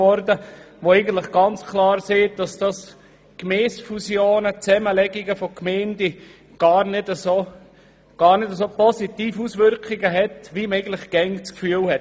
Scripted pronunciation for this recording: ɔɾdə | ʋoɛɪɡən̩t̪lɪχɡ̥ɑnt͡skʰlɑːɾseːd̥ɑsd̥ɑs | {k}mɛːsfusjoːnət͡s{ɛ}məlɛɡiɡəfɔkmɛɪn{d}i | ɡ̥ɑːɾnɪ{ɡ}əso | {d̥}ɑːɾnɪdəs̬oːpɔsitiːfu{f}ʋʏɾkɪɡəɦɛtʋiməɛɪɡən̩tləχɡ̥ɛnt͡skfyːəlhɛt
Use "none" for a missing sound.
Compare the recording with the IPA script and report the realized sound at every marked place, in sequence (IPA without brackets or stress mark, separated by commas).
k, ɛ, d, d, ɡ̥, s